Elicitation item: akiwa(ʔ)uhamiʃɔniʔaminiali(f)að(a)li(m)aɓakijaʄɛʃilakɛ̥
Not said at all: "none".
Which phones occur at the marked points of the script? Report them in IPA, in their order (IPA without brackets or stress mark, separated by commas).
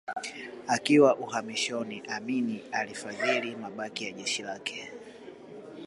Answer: ʔ, f, i, m